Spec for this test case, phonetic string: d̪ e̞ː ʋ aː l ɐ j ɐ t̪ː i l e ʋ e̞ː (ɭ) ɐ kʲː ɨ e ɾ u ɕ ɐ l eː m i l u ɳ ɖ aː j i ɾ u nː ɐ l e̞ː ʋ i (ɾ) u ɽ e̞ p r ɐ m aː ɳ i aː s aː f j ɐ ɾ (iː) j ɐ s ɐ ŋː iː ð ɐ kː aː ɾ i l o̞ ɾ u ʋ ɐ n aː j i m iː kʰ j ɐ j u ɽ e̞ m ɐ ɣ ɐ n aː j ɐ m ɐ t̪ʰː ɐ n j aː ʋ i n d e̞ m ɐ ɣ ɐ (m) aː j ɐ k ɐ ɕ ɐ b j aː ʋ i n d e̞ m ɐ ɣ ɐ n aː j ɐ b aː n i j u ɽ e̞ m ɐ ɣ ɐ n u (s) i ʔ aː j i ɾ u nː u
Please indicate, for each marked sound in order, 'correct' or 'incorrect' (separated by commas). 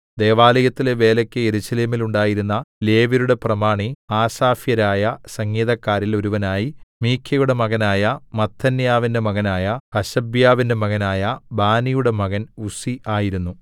incorrect, correct, incorrect, incorrect, correct